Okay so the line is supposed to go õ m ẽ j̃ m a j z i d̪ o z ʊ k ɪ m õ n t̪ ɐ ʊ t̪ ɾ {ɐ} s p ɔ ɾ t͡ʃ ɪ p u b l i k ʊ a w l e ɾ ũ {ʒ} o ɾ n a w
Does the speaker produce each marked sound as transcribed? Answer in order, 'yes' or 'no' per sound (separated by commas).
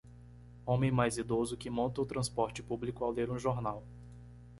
no, yes